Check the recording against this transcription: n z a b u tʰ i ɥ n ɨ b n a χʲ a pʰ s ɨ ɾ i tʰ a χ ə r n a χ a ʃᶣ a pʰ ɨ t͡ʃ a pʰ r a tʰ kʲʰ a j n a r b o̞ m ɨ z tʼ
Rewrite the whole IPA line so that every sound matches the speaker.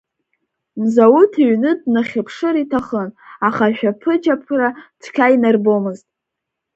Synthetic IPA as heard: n z a w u tʰ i ɥ n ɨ d n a χʲ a pʰ ʂ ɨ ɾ i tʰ a χ ə n a χ a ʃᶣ a pʰ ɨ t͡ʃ a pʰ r a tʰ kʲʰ a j n a r b o̞ m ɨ z tʼ